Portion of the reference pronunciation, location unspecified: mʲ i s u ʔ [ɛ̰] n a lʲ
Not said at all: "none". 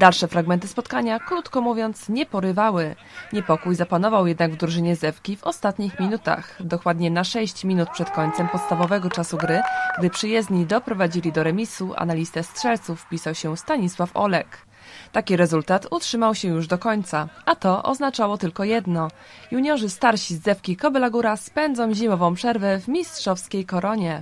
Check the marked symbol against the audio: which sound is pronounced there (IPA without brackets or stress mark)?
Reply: a̰